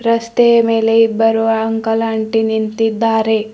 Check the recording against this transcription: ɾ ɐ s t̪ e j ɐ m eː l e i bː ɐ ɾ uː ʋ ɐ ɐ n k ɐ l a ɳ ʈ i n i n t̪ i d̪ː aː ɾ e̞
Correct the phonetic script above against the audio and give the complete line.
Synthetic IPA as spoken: ɾ ɐ s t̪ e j ɐ m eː l e i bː ɐ ɾ u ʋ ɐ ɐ ŋ k ɐ l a ɳ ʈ i n i n t̪ i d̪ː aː ɾ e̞